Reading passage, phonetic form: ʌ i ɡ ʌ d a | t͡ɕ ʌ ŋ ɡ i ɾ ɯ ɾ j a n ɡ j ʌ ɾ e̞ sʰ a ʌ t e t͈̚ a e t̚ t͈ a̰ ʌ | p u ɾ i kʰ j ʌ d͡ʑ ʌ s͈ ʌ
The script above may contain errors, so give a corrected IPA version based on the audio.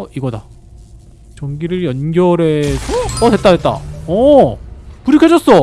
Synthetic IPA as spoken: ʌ i ɡ ʌ d a | t͡ɕ ʌ ŋ ɡ i ɾ ɯ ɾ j ʌ n ɡ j ʌ ɾ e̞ sʰ ʌ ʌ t e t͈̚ a e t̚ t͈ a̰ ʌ | p u ɾ i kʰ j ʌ d͡ʑ ʌ s͈ ʌ